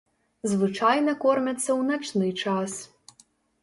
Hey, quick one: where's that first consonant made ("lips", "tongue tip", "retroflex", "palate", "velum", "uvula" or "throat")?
tongue tip